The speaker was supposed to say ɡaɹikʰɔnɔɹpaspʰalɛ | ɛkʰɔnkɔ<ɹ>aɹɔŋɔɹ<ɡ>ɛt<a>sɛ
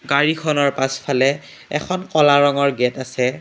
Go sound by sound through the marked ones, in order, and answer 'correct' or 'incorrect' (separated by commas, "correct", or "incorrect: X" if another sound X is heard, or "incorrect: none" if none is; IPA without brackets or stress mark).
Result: incorrect: l, correct, correct